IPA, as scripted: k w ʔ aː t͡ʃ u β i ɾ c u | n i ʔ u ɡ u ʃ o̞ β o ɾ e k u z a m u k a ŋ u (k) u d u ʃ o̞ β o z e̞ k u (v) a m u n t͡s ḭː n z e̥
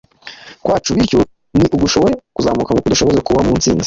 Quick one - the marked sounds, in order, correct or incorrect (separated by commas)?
correct, incorrect